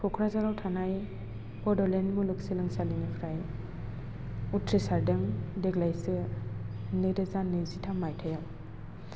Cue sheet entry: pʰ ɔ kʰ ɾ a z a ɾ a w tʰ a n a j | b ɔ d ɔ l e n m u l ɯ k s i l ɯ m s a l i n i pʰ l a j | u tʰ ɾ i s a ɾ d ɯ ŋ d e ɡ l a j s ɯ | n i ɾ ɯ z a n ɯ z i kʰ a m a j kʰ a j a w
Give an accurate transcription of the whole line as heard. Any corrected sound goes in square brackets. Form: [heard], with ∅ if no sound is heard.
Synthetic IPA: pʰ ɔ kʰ ɾ a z a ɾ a w tʰ a n a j | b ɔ d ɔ l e n m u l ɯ k s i l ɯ [ŋ] s a l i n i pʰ [ɾ] a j | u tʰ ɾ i s a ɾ d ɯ ŋ d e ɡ l a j s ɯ | n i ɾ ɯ z a n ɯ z i [tʰ] a m a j [tʰ] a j a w